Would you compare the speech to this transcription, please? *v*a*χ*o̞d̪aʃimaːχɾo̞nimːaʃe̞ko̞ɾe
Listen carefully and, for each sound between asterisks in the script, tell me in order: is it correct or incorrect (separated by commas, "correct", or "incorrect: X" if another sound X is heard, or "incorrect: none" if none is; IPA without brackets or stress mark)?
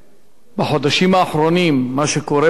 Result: incorrect: b, incorrect: ħ